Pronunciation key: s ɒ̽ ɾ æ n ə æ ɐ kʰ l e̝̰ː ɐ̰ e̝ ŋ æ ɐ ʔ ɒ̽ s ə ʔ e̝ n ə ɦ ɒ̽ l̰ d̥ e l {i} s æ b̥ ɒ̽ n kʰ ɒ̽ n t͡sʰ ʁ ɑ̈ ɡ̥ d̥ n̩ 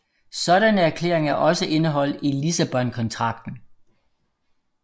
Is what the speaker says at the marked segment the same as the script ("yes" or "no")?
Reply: yes